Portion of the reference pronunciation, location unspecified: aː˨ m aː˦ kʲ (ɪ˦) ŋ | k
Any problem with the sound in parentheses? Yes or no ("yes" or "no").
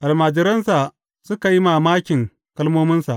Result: yes